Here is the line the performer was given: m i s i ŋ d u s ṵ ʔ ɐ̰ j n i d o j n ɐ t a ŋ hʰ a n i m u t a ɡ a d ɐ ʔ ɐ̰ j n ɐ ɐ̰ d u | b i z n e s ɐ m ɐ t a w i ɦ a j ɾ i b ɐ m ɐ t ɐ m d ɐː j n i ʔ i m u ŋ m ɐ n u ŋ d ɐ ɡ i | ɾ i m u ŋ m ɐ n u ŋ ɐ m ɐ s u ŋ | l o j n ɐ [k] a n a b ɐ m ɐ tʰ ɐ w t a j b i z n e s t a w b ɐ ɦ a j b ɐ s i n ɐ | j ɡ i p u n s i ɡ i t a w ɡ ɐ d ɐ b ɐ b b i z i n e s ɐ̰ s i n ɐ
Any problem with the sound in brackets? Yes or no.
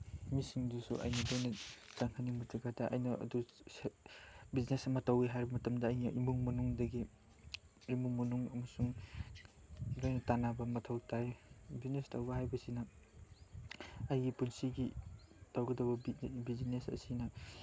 yes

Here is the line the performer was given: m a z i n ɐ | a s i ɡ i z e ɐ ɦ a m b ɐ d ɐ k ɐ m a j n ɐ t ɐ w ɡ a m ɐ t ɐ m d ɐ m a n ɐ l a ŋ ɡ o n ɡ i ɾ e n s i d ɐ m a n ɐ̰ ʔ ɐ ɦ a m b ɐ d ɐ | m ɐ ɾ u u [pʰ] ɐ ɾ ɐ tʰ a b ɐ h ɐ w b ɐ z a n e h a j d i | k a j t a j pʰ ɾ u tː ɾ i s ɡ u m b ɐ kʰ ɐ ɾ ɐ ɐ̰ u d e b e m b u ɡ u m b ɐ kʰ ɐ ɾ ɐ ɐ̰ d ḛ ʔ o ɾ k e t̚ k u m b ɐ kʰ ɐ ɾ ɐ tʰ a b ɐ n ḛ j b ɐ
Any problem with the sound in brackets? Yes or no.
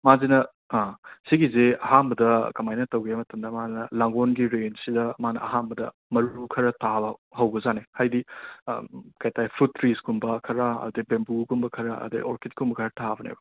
yes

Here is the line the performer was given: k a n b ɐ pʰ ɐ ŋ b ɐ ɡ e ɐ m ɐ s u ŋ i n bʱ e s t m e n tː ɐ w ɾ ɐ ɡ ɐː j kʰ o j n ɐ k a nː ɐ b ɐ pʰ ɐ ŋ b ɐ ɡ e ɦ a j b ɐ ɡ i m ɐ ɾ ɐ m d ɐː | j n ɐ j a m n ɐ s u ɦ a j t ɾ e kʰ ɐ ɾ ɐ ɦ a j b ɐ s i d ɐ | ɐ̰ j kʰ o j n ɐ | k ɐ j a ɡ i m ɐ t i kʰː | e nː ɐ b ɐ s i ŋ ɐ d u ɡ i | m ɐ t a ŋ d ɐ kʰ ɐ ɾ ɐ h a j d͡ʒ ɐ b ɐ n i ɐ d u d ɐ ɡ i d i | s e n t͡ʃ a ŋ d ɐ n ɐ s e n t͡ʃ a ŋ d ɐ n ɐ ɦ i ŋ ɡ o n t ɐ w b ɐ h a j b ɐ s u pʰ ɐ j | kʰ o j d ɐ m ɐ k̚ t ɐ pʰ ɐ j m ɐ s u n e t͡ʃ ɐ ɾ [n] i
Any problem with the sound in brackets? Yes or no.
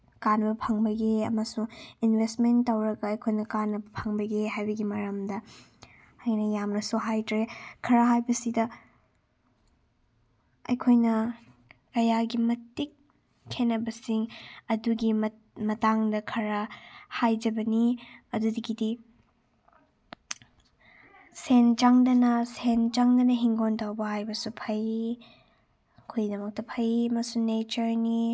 no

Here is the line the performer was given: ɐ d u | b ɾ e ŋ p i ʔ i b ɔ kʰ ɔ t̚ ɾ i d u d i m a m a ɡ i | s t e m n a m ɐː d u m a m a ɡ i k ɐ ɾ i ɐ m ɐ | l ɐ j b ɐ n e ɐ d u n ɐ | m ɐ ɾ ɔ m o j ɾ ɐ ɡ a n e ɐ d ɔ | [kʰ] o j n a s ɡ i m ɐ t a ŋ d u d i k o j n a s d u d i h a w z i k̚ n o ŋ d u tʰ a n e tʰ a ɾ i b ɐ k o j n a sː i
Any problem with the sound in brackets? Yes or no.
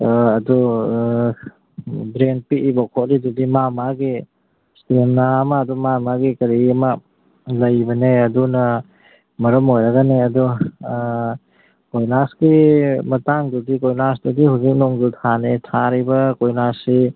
yes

